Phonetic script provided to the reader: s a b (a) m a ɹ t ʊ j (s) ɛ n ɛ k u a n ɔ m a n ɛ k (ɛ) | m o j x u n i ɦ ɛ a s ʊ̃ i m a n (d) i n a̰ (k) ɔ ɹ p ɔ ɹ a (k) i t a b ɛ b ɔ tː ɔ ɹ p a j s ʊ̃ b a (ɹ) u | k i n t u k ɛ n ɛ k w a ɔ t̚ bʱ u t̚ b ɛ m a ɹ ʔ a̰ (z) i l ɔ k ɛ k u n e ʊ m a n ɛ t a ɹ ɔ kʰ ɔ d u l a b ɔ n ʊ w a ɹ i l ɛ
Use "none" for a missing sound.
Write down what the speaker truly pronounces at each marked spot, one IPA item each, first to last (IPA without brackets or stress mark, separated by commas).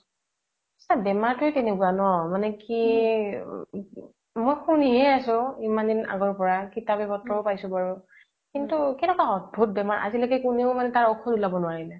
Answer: ɛ, t, i, d, ɡ, k, ɹ, z